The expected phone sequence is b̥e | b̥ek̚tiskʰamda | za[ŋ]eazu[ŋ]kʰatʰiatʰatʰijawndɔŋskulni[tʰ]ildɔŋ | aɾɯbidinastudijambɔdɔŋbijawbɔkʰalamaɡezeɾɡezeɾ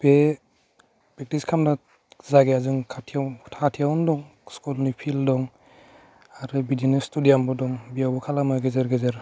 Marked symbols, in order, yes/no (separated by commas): no, yes, no